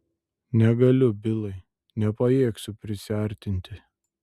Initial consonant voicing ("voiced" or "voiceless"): voiced